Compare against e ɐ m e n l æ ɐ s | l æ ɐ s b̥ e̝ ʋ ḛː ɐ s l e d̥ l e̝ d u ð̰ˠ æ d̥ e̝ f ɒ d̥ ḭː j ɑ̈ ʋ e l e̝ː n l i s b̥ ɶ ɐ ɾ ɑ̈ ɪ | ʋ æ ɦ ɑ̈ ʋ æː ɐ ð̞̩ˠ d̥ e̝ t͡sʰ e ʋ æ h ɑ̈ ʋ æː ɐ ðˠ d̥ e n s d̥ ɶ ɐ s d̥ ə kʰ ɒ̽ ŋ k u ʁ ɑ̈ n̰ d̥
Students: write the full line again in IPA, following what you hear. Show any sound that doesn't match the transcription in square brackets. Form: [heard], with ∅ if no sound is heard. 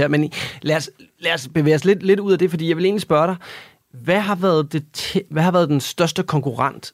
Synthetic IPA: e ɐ m e n l æ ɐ s | l æ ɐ s b̥ e̝ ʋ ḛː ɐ s l e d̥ l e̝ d u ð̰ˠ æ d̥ e̝ f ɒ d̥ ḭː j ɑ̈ ʋ e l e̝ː n l i s b̥ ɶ ɐ ɾ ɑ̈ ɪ | ʋ æ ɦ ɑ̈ ʋ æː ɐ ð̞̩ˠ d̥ e̝ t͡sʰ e ʋ æ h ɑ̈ ʋ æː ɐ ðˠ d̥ e n s d̥ ɶ ɐ s d̥ ə kʰ ɒ̽ ŋ k u ʁ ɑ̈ n̰ d̥